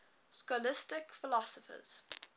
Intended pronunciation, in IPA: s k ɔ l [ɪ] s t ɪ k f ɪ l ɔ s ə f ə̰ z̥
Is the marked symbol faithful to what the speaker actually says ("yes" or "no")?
yes